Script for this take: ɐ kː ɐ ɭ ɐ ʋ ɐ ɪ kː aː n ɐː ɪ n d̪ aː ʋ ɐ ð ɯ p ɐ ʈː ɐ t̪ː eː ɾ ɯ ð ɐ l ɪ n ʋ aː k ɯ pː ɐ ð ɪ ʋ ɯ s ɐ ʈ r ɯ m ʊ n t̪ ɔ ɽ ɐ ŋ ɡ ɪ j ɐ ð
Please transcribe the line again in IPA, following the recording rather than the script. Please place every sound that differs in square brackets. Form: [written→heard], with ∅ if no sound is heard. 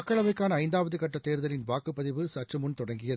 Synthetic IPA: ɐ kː ɐ ɭ ɐ ʋ ɐ ɪ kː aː n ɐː ɪ n d̪ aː ʋ ɐ ð ɯ [p→k] ɐ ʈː ɐ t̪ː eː ɾ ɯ ð ɐ l ɪ n ʋ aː k ɯ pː ɐ ð ɪ ʋ ɯ s ɐ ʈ r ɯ m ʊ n t̪ ɔ ɽ ɐ ŋ ɡ ɪ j ɐ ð